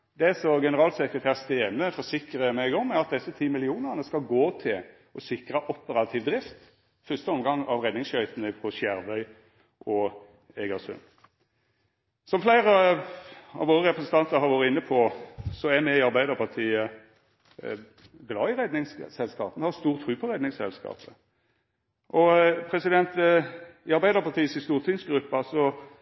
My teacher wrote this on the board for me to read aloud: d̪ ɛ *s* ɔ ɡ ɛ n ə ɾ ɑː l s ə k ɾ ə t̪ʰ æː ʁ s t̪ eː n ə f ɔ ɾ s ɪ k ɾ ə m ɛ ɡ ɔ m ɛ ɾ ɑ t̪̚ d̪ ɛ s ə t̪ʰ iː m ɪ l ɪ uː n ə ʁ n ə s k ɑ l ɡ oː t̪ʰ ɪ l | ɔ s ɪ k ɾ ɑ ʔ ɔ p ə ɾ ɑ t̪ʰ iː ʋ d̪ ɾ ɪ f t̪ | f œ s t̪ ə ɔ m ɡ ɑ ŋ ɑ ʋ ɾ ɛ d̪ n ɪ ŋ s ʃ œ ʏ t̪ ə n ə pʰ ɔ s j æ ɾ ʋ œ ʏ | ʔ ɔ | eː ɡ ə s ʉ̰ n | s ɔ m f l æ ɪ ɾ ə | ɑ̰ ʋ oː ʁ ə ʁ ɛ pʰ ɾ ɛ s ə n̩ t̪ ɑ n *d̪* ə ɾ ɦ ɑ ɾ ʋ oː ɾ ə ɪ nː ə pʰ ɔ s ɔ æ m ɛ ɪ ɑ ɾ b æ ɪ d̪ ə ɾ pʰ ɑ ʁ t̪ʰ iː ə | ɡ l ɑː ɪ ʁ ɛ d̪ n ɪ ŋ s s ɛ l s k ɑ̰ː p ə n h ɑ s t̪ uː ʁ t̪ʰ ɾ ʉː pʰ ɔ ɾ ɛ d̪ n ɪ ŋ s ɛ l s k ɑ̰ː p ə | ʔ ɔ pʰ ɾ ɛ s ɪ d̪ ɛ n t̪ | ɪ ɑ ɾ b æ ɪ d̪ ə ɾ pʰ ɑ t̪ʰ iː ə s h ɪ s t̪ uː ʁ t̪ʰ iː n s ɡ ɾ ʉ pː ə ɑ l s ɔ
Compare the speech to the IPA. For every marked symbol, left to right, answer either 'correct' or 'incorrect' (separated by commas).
correct, incorrect